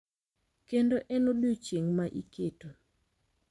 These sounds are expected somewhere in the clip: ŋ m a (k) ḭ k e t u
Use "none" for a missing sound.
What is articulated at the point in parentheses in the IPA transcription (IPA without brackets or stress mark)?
ʔ